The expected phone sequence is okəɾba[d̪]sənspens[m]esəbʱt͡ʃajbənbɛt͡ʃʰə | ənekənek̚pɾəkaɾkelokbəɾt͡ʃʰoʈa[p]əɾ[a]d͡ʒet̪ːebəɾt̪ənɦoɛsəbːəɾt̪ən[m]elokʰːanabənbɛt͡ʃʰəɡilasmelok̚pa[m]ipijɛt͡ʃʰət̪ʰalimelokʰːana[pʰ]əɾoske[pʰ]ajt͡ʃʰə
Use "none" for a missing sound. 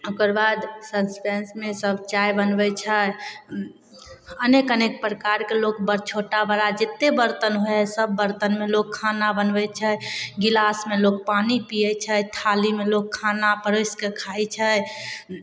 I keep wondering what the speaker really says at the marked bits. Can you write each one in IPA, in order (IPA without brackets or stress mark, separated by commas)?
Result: d̪, m, b, a, m, n, p, kʰ